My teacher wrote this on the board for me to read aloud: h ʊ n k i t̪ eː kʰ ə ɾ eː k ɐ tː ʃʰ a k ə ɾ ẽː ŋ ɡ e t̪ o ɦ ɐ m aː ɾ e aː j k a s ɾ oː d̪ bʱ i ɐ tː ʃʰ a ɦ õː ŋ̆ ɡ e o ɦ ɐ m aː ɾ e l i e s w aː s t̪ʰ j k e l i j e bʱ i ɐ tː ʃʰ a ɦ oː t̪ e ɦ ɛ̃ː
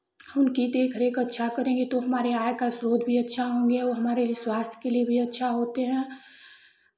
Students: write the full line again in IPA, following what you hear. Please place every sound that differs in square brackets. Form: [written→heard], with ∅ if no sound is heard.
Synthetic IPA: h ʊ n k i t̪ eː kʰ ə ɾ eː k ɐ tː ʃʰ a k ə ɾ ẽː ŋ ɡ e t̪ o ɦ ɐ m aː ɾ e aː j k a s ɾ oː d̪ bʱ i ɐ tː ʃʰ a ɦ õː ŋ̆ ɡ e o ɦ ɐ m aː ɾ e l i e s w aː s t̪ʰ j k e l i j e bʱ i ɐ tː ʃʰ a ɦ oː t̪ e ɦ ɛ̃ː